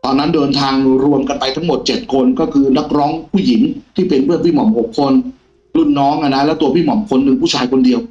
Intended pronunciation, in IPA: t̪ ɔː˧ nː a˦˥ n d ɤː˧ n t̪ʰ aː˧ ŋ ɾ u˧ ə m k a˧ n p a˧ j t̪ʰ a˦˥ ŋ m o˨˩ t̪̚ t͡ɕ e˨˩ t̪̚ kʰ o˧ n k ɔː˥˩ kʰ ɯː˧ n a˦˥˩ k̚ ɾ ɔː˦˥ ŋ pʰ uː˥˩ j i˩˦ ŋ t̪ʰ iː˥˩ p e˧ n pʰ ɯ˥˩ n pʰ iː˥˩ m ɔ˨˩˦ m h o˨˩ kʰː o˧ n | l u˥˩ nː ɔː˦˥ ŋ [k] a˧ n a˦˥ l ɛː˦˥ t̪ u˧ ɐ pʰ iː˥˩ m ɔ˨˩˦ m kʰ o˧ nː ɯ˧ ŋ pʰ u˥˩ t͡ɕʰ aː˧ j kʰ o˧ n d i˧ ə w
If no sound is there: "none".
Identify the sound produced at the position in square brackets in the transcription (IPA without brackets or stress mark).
ʔ